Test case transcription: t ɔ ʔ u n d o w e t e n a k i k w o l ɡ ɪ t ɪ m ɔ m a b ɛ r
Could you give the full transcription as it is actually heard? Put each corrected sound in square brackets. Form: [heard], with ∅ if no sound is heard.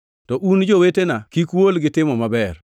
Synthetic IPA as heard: t ɔ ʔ u n [d͡ʒ] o w e t e n a k i k w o l ɡ ɪ t ɪ m ɔ m a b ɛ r